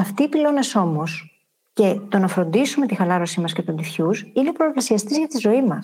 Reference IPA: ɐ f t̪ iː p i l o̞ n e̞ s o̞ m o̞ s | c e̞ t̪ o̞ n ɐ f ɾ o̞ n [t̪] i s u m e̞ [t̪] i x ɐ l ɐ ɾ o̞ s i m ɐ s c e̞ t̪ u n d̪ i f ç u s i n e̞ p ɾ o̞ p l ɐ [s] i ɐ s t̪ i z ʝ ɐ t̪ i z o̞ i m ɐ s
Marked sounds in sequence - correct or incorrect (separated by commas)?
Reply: incorrect, correct, correct